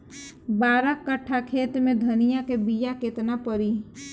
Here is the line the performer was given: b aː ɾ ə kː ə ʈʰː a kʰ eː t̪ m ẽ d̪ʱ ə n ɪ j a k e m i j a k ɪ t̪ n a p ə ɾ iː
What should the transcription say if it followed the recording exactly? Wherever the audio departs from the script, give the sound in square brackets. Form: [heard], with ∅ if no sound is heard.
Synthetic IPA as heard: b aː ɾ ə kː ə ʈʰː a kʰ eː t̪ m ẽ d̪ʱ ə n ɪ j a k e [b] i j a k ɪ t̪ n a p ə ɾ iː